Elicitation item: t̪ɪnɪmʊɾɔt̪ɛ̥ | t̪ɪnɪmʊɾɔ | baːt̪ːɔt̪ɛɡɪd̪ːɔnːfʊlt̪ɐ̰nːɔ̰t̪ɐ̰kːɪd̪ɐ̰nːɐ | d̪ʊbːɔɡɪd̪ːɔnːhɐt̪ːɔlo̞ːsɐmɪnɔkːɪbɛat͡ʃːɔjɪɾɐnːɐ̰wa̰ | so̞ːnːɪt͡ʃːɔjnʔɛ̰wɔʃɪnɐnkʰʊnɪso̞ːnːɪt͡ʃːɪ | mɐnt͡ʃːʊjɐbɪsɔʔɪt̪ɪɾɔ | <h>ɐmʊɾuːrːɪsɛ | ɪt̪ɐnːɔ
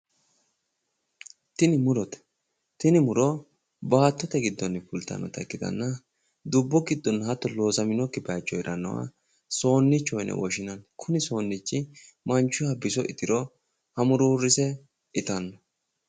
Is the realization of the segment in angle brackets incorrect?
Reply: no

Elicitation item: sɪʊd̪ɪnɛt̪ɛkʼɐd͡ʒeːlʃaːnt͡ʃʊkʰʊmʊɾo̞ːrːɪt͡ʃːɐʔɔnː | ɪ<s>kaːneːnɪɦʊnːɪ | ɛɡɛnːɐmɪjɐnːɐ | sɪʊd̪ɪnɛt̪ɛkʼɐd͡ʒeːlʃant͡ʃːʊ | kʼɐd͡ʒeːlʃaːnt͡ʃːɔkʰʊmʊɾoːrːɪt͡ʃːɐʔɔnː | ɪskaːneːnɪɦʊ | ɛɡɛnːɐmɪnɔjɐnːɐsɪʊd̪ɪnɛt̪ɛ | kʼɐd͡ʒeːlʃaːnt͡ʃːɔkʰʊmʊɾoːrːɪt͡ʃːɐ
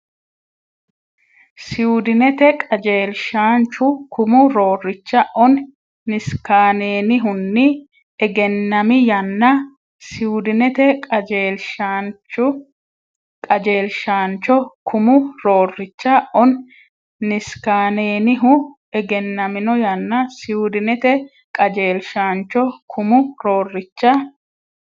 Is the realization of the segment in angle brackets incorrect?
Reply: no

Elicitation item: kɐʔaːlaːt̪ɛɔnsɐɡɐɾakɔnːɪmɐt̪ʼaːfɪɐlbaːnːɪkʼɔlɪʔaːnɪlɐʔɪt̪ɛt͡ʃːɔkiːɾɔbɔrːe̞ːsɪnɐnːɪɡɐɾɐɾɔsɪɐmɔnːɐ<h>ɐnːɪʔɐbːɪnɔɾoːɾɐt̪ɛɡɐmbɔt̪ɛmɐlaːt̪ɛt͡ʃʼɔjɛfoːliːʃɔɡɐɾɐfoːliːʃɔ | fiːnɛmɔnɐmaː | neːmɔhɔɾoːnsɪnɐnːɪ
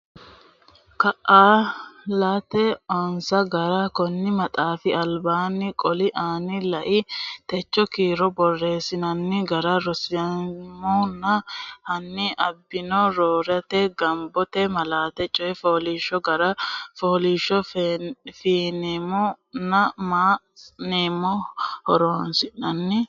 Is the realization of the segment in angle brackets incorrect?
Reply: no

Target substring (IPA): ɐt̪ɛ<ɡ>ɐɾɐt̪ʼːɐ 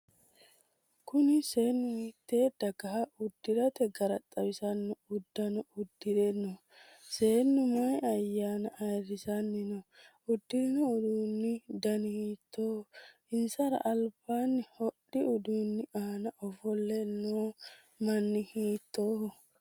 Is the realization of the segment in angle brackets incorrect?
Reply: no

